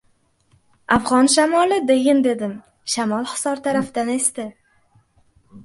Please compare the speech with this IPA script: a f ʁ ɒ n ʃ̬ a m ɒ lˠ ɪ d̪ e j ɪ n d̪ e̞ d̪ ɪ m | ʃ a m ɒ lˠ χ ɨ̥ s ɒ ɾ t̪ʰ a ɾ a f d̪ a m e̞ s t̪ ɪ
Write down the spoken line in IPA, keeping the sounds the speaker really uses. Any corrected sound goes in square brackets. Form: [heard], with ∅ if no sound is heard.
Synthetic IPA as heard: a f ʁ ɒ n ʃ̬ a m ɒ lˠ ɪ d̪ e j ɪ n d̪ e̞ d̪ ɪ m | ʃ a m ɒ lˠ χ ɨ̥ s ɒ ɾ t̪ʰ a ɾ a f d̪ a [n] e̞ s t̪ ɪ